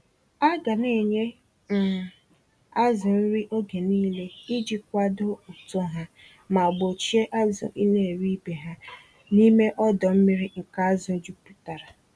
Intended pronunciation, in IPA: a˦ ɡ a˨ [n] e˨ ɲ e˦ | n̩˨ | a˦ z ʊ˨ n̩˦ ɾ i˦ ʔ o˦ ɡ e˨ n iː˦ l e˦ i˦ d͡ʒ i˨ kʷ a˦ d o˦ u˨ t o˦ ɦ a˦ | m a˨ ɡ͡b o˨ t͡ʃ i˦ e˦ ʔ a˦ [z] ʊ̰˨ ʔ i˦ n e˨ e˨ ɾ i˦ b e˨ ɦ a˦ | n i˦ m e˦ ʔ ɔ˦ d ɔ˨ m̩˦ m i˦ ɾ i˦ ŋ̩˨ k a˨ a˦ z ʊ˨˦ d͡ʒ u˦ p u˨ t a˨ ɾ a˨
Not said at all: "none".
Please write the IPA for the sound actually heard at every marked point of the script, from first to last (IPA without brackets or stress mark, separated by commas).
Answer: n, z